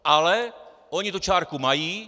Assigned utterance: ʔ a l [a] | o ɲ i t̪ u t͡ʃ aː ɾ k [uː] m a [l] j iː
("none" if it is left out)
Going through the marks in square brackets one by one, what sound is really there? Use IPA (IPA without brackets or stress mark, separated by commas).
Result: ɛ, u, none